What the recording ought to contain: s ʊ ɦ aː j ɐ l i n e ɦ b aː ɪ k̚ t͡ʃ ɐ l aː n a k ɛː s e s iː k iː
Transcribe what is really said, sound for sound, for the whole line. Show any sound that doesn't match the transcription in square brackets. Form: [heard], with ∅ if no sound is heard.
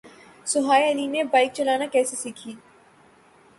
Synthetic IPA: s ʊ ɦ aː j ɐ l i n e [∅] b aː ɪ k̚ t͡ʃ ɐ l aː n a k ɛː s e s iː [kʰ] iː

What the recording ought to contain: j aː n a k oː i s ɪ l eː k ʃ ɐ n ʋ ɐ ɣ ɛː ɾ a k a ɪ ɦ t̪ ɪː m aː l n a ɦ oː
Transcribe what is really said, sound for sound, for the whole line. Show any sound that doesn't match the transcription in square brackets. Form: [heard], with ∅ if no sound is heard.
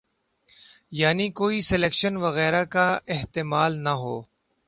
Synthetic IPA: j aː n [i] k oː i s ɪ l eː k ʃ [ə] n ʋ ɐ ɣ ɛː ɾ a k a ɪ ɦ t̪ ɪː m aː l n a ɦ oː

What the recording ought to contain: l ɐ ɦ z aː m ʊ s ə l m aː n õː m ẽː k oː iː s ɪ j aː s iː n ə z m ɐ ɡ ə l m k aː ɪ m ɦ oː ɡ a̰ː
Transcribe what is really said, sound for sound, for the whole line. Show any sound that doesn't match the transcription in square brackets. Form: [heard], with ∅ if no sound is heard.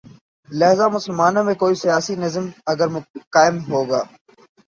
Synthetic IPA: l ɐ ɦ z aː m ʊ s ə l m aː n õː m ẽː k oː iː s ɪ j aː s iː n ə z m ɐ ɡ ə [ɾ] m k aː ɪ m ɦ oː ɡ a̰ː

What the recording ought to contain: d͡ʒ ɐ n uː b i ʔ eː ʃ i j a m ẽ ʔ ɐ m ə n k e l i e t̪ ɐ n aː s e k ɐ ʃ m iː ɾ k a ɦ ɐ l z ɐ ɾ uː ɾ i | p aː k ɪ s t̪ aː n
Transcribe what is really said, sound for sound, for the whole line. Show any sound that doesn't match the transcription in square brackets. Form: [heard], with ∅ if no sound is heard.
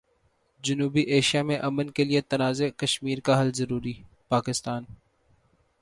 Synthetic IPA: d͡ʒ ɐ n uː b i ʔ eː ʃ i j a m ẽ ʔ ɐ m ə n k e l i e t̪ ɐ n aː [z] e k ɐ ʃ m iː ɾ k a ɦ ɐ l z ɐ ɾ uː ɾ i | p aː k ɪ s t̪ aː n

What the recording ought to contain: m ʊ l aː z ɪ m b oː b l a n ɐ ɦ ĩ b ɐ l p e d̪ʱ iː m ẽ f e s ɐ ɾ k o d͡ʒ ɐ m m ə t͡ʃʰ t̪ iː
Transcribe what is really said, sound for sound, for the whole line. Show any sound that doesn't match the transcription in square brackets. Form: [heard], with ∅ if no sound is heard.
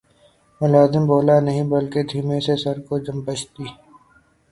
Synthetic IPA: m ʊ l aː z ɪ m b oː [∅] l a n ɐ ɦ ĩ b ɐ l [k] e d̪ʱ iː m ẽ [s] e s ɐ ɾ k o d͡ʒ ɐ m [b] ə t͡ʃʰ t̪ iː

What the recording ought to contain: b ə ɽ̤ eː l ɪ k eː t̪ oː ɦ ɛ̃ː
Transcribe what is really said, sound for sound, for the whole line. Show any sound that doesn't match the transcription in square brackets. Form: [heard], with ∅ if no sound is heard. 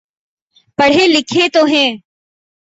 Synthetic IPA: [p] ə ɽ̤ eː l ɪ [kʰ] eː t̪ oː ɦ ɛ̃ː

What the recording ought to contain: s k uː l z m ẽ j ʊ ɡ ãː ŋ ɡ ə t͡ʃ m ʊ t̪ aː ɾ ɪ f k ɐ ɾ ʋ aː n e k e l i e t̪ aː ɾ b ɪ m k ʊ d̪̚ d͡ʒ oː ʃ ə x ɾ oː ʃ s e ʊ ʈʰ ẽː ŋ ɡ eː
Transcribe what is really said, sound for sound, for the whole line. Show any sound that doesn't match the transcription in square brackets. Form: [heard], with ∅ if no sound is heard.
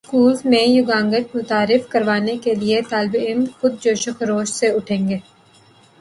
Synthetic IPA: s k uː l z m ẽ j ʊ ɡ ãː ŋ ɡ ə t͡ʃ m ʊ t̪ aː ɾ ɪ f k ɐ ɾ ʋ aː n e k e l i e t̪ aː [l] b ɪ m [x] ʊ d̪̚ d͡ʒ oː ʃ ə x ɾ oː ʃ s e ʊ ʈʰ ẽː ŋ ɡ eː

